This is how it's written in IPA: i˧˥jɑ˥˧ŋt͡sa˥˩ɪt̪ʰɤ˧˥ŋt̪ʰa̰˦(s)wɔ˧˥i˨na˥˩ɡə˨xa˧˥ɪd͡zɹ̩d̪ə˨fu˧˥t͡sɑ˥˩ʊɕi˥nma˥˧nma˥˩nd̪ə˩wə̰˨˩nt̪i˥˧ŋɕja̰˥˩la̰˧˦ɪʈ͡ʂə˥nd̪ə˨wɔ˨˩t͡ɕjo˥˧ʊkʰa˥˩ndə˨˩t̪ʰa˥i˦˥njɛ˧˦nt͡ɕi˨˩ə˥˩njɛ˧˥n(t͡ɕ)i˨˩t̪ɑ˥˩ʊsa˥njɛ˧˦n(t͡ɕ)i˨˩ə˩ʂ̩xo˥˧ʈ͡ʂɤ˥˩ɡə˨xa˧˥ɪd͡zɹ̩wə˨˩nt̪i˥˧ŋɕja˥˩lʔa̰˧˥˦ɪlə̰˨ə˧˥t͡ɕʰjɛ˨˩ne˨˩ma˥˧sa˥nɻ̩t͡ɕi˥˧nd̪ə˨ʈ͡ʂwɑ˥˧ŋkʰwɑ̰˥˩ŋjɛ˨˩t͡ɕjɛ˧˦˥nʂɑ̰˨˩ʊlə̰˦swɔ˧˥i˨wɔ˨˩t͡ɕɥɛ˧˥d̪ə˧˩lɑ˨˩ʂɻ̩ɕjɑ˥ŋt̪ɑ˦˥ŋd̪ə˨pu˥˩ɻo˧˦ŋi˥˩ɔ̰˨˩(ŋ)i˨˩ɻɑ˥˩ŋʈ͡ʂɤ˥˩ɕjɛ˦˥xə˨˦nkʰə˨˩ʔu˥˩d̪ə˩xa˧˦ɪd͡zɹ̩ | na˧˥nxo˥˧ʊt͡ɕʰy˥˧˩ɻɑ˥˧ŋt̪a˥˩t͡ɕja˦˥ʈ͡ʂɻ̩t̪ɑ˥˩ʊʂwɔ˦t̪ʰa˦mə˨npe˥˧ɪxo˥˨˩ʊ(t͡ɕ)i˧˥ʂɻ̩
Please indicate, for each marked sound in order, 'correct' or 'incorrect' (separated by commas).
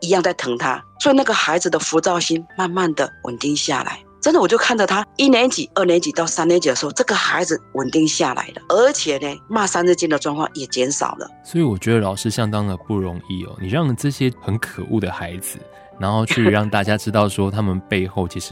correct, correct, correct, incorrect, incorrect